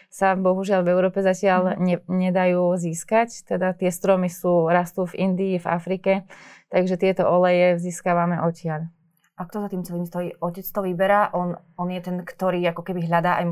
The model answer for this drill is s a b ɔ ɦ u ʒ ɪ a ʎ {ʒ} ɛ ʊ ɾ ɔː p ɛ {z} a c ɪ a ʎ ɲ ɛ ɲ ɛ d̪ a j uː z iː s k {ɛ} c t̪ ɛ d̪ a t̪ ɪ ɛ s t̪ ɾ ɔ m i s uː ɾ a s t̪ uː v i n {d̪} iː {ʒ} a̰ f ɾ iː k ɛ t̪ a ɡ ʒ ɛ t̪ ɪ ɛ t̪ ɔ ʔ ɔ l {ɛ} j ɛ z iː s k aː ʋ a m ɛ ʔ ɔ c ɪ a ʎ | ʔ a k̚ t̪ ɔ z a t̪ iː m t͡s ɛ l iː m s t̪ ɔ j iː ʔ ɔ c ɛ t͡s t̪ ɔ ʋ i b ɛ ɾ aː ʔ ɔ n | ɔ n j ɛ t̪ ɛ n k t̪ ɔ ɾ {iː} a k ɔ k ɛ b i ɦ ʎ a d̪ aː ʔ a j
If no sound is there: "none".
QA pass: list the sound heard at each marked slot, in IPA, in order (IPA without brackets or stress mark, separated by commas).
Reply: v, z, a, d̪, v, ɛ, iː